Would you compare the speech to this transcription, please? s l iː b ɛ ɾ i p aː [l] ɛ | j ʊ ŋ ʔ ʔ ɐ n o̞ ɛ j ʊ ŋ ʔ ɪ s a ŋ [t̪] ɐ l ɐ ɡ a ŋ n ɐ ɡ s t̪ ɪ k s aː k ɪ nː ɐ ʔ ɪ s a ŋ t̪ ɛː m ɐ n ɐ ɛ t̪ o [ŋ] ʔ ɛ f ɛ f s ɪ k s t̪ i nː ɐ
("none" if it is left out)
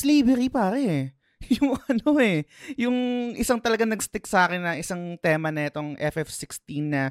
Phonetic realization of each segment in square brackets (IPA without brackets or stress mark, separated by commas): ɾ, t̪, ŋ